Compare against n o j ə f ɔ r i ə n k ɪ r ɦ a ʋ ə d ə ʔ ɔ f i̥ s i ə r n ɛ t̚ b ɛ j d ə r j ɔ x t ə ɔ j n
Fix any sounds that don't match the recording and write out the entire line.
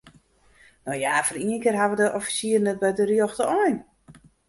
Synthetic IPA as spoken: n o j a f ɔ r i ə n k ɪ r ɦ a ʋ ə d ə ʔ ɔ f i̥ s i ə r n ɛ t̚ b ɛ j d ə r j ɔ x t ə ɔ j n